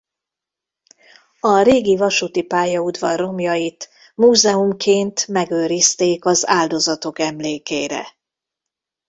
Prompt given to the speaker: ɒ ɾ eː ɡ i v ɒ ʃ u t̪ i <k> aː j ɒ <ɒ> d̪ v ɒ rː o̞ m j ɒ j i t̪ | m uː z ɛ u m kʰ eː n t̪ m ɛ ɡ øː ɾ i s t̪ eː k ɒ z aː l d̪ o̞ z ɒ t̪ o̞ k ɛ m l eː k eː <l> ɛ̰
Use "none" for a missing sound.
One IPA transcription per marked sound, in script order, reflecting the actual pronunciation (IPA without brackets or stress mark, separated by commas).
p, u, ɾ